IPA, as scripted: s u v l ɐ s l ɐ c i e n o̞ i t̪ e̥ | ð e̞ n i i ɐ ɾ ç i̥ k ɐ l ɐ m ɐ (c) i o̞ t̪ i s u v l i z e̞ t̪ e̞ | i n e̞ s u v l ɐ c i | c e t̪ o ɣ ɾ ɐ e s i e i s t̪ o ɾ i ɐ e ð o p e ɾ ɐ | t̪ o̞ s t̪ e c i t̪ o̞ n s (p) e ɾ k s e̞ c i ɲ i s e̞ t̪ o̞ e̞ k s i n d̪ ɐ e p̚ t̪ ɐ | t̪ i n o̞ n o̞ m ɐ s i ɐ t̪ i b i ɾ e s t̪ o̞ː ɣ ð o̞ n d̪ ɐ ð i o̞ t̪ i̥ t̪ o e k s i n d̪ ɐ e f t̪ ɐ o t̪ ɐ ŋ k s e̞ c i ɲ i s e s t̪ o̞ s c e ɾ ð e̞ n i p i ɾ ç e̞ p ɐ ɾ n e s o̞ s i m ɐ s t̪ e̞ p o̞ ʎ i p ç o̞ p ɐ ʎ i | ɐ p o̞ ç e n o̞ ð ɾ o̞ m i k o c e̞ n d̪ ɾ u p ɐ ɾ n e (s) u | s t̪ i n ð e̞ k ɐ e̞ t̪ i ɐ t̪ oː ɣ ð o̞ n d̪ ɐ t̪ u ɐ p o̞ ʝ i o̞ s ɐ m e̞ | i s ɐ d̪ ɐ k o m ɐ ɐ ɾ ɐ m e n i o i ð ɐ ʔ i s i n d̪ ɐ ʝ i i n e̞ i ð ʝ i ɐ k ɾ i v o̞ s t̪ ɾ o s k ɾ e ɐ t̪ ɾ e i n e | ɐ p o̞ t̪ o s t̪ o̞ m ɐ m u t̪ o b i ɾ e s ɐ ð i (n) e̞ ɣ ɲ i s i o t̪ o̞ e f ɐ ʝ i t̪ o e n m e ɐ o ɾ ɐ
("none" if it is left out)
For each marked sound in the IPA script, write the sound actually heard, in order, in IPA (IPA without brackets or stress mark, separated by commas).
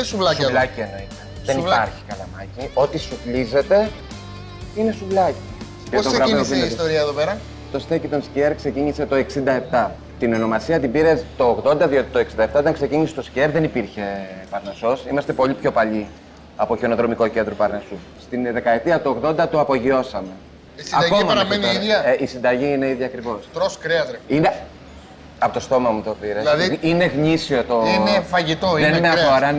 c, c, s, n